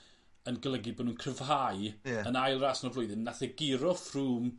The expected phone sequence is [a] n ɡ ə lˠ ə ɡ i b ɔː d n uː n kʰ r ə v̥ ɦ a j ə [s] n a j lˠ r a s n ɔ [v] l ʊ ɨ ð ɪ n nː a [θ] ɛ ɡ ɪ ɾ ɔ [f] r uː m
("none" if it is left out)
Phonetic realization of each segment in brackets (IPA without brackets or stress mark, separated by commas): ə, none, v, θ, f